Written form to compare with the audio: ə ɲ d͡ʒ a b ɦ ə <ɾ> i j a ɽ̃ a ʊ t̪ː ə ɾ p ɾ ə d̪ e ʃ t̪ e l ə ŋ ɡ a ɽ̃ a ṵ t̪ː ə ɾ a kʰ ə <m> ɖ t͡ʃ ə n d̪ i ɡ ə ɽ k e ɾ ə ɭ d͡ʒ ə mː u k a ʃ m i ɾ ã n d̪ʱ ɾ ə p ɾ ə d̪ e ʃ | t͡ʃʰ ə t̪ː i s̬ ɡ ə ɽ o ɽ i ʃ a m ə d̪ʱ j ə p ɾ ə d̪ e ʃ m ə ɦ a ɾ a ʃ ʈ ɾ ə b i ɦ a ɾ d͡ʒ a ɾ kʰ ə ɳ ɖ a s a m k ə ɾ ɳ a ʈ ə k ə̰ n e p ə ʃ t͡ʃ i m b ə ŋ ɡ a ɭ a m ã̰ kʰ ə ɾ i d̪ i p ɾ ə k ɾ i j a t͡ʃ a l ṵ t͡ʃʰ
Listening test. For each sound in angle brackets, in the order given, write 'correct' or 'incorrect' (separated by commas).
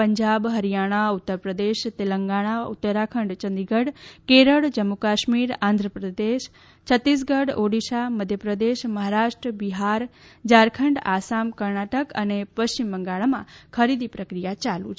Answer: correct, incorrect